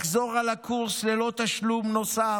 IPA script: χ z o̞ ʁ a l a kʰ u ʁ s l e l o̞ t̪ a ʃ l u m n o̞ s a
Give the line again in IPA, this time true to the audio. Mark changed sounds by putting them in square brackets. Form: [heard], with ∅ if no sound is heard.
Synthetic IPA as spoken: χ z o̞ ʁ a l a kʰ u ʁ s l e l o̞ t̪ a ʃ l u m n o̞ s a